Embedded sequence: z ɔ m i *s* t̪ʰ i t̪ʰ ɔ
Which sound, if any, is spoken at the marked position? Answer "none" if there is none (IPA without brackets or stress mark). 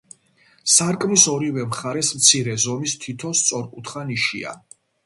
s